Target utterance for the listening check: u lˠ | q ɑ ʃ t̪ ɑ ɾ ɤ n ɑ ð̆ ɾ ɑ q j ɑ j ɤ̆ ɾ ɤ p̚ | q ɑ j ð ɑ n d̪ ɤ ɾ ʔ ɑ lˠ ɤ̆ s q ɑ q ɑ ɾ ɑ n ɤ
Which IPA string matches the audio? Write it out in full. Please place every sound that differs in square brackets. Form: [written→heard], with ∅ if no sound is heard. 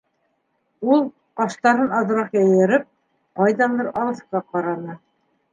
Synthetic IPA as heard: u lˠ | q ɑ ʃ t̪ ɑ ɾ ɤ n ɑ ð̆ ɾ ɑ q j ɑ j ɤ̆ ɾ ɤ p̚ | q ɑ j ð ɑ n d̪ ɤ ɾ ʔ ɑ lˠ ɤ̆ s q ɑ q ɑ ɾ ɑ n ɤ